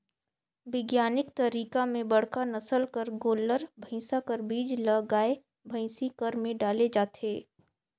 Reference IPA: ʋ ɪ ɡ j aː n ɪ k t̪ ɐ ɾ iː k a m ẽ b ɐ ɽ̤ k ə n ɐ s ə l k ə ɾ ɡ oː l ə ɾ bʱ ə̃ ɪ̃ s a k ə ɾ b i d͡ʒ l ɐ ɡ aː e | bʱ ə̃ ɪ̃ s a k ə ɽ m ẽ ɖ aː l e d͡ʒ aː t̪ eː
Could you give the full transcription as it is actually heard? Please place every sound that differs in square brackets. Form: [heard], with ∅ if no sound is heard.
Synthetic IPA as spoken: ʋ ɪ ɡ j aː n ɪ k t̪ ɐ ɾ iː k a m ẽ b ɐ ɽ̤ k [a] n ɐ s ə l k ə ɾ ɡ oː l ə ɾ bʱ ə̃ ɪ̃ s a k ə ɾ b [iː] d͡ʒ l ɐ ɡ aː e | bʱ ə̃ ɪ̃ s [i] k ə [ɾ] m ẽ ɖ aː l e d͡ʒ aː t̪ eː